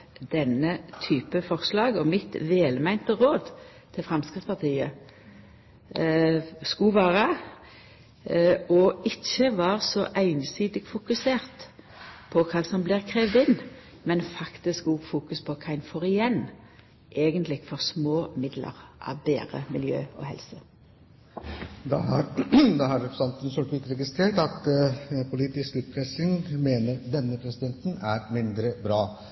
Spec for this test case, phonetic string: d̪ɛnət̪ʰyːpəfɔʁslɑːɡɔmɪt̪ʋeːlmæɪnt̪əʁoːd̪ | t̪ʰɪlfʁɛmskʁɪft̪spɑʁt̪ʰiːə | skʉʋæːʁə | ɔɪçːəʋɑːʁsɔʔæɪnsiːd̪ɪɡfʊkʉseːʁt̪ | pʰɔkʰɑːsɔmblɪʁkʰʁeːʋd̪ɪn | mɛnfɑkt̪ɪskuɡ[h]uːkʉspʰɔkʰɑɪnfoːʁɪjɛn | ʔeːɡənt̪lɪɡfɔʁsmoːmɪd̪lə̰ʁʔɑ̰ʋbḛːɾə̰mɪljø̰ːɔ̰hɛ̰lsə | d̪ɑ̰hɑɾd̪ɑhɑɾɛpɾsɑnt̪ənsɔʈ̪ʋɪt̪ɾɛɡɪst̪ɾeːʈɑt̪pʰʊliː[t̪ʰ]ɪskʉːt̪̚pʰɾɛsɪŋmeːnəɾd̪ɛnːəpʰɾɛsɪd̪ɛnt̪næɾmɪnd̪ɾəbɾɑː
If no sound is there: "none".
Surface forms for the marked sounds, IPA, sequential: f, t̪

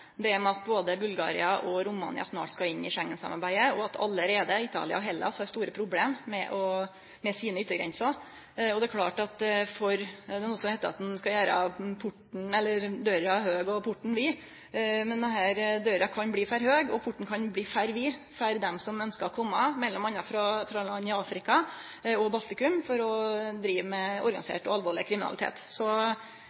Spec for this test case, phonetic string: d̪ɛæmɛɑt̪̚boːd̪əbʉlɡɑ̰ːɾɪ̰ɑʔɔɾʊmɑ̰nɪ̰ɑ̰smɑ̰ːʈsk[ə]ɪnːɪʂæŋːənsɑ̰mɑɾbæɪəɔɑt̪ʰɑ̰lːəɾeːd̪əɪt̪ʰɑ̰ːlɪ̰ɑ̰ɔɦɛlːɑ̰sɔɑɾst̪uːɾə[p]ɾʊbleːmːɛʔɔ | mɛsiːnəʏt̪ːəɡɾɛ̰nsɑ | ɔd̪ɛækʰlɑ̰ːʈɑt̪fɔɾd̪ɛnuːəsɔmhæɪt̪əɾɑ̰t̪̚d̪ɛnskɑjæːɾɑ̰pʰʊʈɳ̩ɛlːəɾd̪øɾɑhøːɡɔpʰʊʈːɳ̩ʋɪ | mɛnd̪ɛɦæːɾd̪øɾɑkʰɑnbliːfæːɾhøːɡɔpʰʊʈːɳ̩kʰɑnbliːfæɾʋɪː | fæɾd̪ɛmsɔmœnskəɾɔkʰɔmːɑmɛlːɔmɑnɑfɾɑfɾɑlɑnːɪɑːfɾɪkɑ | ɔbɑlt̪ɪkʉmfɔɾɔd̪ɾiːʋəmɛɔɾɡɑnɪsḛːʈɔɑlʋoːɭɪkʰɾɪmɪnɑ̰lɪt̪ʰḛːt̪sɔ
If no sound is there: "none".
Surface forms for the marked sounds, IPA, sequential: ɑ, pʰ

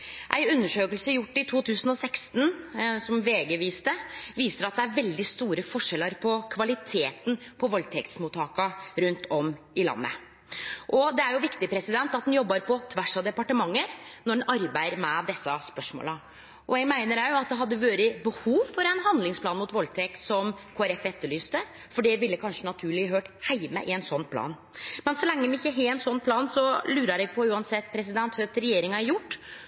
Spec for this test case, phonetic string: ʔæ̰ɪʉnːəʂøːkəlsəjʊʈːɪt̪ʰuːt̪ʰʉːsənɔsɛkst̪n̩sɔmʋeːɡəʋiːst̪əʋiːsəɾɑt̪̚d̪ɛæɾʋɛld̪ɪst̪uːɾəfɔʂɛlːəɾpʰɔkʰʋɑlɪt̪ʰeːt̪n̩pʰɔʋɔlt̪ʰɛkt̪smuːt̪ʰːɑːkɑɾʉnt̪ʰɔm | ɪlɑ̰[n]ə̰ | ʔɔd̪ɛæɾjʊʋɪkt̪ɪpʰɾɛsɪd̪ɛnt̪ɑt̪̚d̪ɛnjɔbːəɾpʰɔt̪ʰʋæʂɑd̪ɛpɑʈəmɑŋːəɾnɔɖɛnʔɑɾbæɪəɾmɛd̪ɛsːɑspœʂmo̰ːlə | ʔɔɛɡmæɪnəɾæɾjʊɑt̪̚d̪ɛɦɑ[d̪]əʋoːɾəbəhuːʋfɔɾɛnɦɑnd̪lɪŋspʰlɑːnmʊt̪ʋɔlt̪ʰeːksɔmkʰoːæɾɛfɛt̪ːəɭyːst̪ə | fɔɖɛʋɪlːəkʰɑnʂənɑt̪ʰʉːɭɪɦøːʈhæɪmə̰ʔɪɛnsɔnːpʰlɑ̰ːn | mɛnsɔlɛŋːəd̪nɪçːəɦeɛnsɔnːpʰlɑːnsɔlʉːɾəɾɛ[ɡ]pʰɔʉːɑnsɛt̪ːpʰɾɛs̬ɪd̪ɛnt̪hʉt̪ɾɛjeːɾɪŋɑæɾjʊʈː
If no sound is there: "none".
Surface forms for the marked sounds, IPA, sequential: nː, d̪ː, ɡ

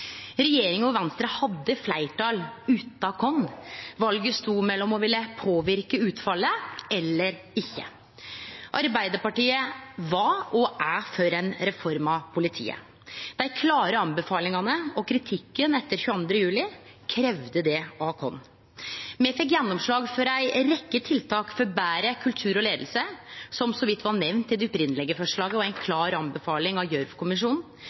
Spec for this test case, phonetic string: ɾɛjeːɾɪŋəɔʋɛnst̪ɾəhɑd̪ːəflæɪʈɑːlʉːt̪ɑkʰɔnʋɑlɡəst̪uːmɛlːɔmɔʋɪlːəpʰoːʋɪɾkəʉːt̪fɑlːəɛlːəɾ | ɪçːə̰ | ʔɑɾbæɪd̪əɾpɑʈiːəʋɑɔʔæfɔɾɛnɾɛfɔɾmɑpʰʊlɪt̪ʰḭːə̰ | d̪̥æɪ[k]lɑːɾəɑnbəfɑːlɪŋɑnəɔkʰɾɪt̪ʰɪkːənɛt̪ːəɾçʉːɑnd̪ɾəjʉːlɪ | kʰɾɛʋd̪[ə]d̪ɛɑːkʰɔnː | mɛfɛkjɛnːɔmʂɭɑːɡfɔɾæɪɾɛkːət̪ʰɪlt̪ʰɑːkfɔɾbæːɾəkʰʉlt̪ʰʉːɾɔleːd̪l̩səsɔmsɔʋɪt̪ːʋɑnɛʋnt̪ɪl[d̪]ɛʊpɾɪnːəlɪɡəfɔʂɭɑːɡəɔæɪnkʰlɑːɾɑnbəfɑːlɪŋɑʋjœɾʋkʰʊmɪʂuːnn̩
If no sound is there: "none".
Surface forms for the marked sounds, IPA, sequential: kʰ, ə, d̪

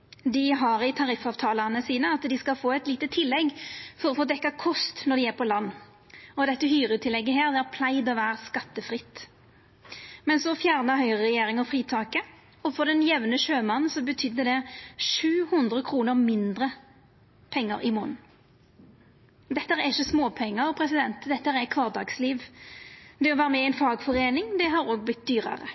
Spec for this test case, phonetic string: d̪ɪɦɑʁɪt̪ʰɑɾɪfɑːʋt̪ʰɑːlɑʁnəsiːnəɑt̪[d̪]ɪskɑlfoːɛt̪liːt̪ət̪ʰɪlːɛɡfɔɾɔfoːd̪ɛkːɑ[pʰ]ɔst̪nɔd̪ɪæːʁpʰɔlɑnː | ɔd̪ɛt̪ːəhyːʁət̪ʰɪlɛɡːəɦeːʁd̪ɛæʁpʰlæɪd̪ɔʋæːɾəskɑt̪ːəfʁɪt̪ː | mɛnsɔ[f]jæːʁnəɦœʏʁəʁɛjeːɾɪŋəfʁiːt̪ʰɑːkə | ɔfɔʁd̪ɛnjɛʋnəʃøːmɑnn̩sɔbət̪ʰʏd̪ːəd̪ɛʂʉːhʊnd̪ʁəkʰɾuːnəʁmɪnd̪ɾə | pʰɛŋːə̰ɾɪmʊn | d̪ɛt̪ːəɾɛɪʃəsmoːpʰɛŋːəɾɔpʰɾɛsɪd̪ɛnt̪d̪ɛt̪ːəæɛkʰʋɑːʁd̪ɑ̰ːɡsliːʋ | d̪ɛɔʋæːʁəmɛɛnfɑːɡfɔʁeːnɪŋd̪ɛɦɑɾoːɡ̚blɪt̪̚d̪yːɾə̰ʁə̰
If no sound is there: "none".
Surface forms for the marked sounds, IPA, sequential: d̪, kʰ, f

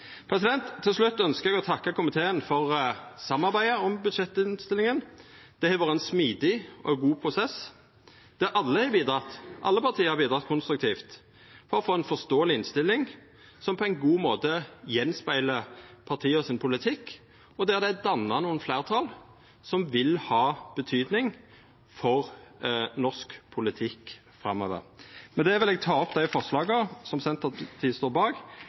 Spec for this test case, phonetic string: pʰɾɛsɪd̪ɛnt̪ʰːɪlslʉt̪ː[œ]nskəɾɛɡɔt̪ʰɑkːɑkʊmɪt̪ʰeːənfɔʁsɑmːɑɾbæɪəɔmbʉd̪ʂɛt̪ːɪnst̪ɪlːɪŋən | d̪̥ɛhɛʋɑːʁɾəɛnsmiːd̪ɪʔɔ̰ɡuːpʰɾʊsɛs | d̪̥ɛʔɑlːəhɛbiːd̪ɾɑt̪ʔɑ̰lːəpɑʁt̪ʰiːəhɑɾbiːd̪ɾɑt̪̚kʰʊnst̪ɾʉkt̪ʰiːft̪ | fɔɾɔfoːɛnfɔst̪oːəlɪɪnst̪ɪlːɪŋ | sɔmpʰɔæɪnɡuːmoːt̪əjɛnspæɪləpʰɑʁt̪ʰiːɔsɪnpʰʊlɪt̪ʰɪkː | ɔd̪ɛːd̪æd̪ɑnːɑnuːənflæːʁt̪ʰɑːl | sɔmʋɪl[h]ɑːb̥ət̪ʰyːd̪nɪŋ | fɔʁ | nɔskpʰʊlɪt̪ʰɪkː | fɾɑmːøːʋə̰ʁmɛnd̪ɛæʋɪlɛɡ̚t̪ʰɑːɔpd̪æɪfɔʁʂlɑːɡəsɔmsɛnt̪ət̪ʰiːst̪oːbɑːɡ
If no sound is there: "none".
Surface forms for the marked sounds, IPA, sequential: œ, h

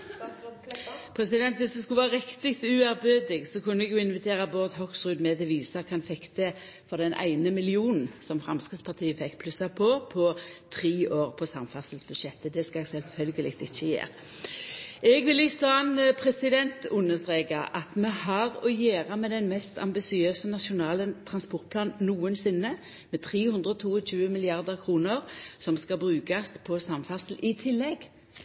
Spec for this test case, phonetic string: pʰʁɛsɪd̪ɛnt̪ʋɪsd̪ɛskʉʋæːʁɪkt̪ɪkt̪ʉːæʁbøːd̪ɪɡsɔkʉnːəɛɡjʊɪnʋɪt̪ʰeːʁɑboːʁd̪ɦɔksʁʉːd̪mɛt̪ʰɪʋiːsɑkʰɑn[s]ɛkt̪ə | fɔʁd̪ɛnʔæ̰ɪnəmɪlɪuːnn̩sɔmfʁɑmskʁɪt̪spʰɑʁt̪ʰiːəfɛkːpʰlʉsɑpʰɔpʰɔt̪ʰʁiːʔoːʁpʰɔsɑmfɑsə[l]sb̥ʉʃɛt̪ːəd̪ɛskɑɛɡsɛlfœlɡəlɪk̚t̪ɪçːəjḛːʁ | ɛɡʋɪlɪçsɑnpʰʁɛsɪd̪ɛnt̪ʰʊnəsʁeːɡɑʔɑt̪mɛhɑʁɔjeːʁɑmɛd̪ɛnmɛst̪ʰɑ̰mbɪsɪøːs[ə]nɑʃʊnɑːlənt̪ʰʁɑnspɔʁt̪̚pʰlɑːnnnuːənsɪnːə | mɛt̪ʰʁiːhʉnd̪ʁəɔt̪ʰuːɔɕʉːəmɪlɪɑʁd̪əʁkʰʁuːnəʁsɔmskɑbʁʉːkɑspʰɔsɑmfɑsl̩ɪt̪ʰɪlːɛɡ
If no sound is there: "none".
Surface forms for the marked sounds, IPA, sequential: f, l, ə

